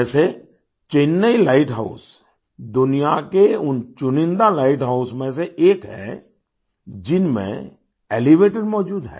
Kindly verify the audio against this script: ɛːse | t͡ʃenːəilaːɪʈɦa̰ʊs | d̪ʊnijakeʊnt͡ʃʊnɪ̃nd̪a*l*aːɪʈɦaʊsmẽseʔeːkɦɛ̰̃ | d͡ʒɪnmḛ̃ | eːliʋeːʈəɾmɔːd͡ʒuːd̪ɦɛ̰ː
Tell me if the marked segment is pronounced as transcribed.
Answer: yes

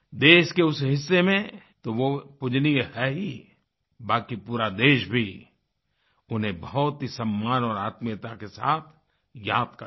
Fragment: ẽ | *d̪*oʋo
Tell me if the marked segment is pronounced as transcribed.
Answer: no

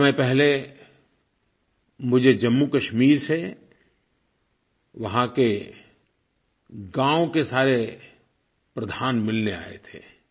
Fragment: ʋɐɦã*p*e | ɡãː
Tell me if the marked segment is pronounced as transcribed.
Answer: no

